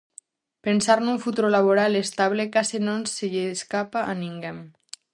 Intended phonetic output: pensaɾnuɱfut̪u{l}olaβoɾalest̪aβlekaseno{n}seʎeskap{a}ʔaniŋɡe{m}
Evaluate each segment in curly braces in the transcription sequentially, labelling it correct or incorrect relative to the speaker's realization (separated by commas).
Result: incorrect, correct, correct, correct